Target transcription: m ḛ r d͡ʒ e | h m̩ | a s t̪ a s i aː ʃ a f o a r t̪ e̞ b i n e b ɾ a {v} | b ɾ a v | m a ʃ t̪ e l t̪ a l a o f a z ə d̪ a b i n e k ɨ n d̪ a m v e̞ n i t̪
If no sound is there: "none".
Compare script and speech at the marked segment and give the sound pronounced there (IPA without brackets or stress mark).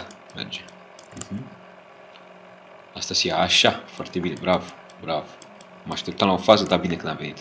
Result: v